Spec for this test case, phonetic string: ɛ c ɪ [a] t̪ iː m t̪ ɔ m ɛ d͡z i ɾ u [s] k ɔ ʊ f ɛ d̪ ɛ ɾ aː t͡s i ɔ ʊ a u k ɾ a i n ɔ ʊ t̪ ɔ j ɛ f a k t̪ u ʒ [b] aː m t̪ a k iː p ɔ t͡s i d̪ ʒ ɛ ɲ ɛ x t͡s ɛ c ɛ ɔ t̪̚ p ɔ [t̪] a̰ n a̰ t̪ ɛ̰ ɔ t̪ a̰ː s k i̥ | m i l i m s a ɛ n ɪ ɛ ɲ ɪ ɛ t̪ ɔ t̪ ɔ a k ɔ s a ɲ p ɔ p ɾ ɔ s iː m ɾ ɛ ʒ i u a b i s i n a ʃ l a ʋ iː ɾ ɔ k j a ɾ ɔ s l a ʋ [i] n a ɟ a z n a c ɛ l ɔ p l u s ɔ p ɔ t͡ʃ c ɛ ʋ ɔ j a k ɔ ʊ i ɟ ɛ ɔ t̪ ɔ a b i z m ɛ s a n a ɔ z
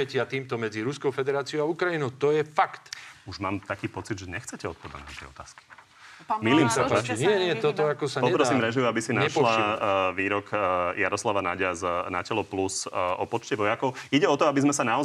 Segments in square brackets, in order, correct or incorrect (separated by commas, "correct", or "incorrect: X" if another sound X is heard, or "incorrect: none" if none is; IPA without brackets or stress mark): correct, correct, incorrect: m, incorrect: d̪, incorrect: a